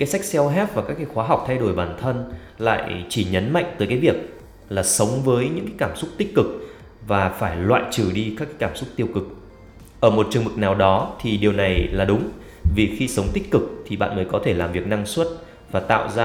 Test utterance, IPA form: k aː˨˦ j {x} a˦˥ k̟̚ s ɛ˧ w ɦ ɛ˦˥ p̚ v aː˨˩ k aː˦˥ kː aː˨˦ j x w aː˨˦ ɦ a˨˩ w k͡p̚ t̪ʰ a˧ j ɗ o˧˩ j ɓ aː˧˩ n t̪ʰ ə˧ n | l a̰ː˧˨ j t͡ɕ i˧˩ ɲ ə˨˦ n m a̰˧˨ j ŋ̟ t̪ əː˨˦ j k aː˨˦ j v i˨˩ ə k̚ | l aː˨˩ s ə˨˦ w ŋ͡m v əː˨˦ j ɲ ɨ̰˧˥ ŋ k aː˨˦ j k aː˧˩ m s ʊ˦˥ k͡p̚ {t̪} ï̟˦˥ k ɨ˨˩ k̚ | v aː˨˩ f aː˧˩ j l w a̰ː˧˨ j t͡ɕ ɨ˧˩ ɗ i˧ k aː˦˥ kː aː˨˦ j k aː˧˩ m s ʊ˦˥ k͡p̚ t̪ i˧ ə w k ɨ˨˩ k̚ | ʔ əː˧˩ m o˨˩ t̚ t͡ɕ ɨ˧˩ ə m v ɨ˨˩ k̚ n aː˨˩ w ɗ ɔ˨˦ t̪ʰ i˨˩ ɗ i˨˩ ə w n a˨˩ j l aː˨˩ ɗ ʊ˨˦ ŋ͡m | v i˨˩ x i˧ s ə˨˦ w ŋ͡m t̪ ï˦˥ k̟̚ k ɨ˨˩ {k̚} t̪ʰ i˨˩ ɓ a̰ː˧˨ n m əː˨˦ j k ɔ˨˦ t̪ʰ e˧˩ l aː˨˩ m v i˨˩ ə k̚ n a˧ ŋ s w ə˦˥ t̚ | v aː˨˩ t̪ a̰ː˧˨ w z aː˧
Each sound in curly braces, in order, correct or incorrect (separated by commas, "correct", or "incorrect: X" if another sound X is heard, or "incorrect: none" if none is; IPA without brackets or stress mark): incorrect: s, correct, correct